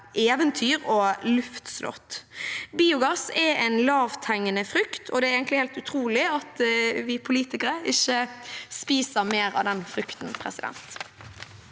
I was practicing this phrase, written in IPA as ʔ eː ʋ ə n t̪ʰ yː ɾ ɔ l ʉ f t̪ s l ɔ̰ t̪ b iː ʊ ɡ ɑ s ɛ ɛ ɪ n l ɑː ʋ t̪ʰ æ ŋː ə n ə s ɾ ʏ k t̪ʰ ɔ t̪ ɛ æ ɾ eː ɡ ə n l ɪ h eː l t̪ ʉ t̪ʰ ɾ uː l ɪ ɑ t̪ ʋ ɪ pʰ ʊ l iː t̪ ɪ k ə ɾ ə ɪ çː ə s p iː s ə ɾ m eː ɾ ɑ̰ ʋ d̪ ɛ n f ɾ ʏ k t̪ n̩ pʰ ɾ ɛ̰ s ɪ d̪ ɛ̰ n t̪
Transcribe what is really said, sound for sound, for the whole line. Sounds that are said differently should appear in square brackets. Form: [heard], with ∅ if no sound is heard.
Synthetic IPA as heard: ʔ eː ʋ ə n t̪ʰ yː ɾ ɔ l ʉ f t̪ s l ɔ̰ t̪ b iː ʊ ɡ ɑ s ɛ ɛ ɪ n l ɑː ʋ t̪ʰ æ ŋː ə n ə [f] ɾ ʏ k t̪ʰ ɔ [d̪] ɛ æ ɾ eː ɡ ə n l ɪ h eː l t̪ ʉ t̪ʰ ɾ uː l ɪ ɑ t̪ ʋ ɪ pʰ ʊ l iː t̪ ɪ k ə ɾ ə ɪ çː ə s p iː s ə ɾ m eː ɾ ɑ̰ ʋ d̪ ɛ n f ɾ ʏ k t̪ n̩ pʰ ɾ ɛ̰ s ɪ d̪ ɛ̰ n t̪